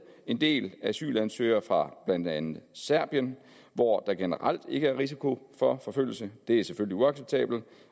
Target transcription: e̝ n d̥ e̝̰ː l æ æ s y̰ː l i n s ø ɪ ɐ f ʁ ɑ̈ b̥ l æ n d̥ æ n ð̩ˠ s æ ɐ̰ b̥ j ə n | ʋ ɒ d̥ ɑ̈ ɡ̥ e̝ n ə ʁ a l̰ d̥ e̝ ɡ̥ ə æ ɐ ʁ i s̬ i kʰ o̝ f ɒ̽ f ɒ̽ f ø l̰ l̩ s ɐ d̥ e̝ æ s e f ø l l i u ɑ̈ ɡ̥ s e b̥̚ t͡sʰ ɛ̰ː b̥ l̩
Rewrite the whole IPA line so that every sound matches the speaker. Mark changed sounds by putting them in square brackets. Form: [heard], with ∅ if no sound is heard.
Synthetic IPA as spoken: e̝ n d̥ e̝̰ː l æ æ s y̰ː l [æ] n s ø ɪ ɐ f ʁ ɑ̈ b̥ l æ n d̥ æ n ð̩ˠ s æ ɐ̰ b̥ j ə n | ʋ ɒ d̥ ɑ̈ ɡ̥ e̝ n ə ʁ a l̰ d̥ e̝ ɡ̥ ə æ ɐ ʁ i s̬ i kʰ o̝ f ɒ̽ f ɒ̽ f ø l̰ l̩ s [ə] d̥ e̝ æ s e f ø l l i u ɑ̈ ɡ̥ s e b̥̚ t͡sʰ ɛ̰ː b̥ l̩